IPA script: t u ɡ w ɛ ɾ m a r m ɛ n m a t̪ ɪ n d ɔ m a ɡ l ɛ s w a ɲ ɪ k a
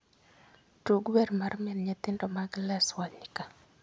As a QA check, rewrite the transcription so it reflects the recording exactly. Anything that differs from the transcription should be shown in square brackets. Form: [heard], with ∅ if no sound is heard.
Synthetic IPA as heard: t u ɡ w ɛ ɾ m a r m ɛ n [ɲ] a t̪ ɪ n d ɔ m a ɡ l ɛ s w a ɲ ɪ k a

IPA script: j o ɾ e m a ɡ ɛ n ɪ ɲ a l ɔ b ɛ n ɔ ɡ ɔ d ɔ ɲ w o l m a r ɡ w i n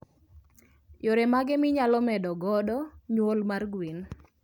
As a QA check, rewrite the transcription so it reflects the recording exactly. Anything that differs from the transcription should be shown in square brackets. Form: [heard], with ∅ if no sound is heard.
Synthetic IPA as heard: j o ɾ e m a ɡ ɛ [m] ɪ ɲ a l ɔ [m] ɛ [d] ɔ ɡ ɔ d ɔ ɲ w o l m a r ɡ w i n

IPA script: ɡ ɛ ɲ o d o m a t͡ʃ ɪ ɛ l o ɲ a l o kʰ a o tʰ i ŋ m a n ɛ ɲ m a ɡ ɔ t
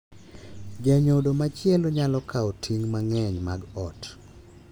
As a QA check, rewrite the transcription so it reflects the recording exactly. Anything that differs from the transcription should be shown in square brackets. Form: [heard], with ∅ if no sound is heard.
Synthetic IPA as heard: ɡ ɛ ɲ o d o m a t͡ʃ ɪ ɛ l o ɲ a l [ɔ] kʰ a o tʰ i ŋ m a [ŋ] ɛ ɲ m a ɡ ɔ t

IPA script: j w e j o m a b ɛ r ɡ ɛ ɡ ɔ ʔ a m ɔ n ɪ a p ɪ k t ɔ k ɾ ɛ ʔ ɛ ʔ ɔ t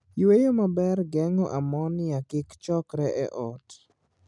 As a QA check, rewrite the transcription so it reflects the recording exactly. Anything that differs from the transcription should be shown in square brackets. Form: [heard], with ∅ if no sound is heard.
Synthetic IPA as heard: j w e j o m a b ɛ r ɡ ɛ [ŋ] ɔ ʔ a m ɔ n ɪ a [k] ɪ k [t͡ʃ] ɔ k ɾ ɛ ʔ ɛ ʔ ɔ t

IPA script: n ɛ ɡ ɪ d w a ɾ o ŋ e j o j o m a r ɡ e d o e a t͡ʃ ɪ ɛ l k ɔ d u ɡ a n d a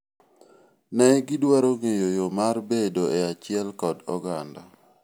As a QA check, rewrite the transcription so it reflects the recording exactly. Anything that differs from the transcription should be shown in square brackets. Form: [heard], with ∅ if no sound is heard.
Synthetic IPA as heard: n ɛ ɡ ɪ d w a ɾ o ŋ e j o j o m a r [b] e d o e a t͡ʃ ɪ ɛ l k ɔ d [ɔ] ɡ a n d a

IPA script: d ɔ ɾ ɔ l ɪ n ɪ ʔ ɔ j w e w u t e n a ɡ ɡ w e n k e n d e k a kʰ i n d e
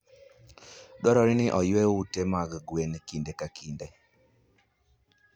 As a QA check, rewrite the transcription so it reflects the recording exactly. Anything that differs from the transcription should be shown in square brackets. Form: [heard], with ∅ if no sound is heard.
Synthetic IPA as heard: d ɔ ɾ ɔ [ɾ] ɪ n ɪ ʔ ɔ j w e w u t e [m] a ɡ ɡ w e n k [i] n d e k a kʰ i n d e

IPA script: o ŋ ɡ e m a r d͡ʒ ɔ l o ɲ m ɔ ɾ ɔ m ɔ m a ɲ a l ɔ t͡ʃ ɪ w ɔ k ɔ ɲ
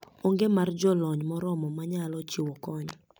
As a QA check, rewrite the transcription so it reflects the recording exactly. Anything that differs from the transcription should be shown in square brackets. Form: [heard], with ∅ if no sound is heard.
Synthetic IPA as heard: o ŋ ɡ e m a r d͡ʒ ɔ l [ɔ] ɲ m ɔ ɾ ɔ m ɔ m a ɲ a l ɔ t͡ʃ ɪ w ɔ k ɔ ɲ

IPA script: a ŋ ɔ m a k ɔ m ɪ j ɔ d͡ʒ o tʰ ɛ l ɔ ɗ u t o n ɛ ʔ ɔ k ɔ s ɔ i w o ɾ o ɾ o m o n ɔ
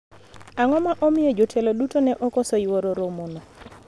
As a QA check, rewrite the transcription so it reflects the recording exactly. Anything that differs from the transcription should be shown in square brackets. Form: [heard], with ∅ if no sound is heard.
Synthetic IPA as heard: a ŋ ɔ m a [ʔ] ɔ m ɪ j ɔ d͡ʒ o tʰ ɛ l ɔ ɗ u t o n ɛ ʔ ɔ k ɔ s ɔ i w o ɾ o ɾ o m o n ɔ

